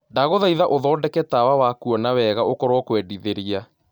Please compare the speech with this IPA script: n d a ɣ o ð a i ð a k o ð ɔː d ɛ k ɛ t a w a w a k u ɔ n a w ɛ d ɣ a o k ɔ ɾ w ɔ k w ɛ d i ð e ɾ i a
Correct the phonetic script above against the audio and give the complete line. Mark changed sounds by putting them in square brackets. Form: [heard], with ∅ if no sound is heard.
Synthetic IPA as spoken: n d a ɣ o ð a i ð a [ʔ] o ð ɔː d ɛ k ɛ t a w a w a k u ɔ n a w ɛ [∅] ɣ a o k ɔ ɾ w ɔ k w ɛ d i ð e ɾ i a